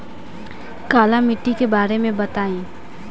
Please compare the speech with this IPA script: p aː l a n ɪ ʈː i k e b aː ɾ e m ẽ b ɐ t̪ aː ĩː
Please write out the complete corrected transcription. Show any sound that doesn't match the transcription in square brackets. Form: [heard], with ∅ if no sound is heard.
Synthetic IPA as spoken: [k] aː l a [m] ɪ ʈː i k e b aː ɾ e m ẽ b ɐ t̪ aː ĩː